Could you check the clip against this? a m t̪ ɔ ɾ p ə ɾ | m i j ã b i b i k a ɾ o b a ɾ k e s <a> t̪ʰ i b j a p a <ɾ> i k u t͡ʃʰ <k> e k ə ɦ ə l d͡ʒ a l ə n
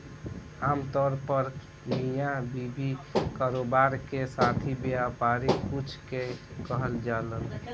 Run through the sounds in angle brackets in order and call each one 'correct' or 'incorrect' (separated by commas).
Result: correct, correct, correct